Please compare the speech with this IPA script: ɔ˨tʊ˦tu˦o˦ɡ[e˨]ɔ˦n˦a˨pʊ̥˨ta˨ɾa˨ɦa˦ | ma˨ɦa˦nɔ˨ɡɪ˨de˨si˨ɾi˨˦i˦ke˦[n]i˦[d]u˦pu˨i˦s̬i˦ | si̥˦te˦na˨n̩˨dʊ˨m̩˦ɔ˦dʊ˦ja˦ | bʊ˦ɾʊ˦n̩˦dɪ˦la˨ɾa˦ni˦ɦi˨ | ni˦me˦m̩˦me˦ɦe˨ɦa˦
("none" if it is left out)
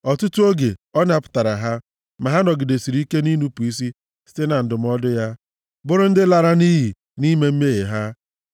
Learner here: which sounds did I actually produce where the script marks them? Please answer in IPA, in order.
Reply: e˨, n, n

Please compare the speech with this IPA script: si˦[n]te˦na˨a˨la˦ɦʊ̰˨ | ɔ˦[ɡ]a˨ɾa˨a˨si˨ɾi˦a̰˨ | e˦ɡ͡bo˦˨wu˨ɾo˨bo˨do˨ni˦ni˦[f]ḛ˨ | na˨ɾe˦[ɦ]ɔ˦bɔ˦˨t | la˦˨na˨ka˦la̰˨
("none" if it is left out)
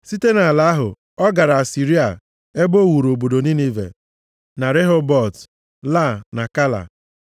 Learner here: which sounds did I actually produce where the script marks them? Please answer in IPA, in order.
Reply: none, ɡ, v, ɦ

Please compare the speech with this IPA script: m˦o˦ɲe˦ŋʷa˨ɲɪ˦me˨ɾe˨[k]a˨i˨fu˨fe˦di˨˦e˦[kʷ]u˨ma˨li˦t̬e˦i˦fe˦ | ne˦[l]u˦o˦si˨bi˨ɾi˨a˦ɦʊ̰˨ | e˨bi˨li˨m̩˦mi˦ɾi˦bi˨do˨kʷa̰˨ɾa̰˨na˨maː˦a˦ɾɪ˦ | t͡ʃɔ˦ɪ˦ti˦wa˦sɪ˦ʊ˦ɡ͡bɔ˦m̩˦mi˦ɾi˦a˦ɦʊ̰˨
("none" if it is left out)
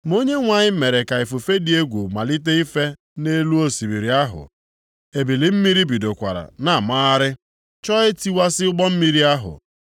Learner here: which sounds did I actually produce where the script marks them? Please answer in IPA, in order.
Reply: k, ɡʷ, l

